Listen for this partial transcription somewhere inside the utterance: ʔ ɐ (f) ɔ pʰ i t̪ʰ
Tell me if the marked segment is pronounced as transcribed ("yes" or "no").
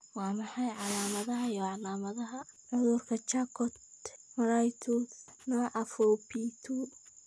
yes